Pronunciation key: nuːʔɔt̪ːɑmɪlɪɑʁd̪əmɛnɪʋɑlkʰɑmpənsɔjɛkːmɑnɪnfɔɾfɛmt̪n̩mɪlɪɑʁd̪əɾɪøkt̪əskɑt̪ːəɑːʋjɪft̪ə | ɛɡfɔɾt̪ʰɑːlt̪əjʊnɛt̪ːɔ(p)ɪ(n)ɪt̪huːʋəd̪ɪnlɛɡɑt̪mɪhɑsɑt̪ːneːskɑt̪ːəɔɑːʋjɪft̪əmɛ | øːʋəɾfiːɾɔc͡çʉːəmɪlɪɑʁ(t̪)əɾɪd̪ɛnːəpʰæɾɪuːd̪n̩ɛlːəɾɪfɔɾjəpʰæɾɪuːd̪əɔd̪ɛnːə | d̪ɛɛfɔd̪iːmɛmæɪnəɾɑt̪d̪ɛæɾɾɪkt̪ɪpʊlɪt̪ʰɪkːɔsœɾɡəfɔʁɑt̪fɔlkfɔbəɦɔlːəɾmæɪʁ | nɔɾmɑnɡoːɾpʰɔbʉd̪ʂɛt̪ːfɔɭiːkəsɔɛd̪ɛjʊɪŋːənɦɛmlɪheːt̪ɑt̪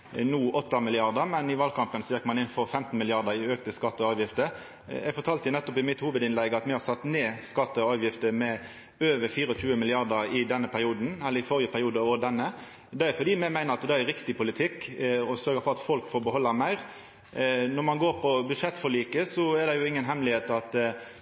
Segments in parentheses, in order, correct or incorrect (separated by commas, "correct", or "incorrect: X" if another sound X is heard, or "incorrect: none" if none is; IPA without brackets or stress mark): correct, incorrect: m, incorrect: d̪